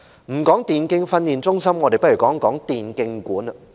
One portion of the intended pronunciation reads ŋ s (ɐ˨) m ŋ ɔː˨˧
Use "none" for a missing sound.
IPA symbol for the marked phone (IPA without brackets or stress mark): ɐ˥